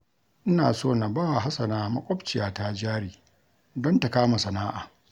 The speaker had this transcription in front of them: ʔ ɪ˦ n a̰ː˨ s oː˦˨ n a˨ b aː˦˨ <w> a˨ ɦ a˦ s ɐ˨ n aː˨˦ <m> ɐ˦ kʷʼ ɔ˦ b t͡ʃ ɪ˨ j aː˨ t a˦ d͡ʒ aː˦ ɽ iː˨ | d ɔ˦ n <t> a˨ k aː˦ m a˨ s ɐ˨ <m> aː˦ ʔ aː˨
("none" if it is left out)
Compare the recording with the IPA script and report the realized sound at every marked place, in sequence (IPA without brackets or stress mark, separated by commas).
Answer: w, m, t, n